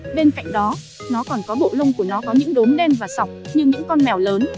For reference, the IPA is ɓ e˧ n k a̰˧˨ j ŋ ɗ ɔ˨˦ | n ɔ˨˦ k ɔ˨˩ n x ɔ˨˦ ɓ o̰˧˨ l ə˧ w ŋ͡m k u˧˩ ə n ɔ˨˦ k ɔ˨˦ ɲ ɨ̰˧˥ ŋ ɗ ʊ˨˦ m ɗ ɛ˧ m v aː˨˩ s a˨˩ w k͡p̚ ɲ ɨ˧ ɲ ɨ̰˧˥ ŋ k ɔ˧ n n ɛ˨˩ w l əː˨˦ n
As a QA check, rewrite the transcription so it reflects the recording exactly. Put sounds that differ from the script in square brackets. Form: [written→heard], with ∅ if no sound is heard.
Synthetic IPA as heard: ɓ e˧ n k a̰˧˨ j ŋ ɗ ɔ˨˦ | n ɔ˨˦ k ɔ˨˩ n [x→k] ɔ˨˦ ɓ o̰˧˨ l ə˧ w ŋ͡m k u˧˩ ə n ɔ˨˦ k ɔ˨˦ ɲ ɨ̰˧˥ ŋ ɗ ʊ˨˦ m ɗ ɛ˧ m v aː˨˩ s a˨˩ w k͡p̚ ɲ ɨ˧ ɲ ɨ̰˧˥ ŋ k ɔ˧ n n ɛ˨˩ w l əː˨˦ n